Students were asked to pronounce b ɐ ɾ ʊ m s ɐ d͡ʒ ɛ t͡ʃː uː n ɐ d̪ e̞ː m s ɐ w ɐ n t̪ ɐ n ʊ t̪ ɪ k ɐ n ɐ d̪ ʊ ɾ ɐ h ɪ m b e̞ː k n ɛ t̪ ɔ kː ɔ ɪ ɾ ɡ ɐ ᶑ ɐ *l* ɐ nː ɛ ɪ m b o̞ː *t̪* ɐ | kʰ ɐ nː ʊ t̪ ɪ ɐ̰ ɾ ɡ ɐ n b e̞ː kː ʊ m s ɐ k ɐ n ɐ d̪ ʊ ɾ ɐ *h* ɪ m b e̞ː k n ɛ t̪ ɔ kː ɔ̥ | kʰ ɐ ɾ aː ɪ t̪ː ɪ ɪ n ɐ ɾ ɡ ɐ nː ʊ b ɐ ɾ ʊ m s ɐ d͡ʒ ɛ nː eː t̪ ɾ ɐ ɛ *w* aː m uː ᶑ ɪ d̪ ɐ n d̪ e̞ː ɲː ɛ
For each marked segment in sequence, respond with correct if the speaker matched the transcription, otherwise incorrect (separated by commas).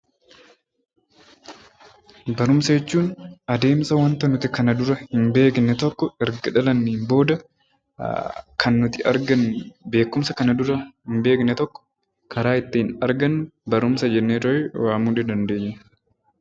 correct, incorrect, correct, correct